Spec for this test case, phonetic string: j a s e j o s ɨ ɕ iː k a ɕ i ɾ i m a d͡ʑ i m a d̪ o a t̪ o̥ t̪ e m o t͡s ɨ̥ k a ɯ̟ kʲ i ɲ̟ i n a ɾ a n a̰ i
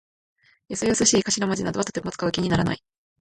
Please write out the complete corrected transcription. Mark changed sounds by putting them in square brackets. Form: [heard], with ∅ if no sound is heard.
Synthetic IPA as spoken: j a s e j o s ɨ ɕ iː k a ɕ i ɾ [a] m a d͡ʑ i [n] a d̪ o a t̪ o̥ t̪ e m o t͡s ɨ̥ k a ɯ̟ kʲ i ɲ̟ i n a ɾ a n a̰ i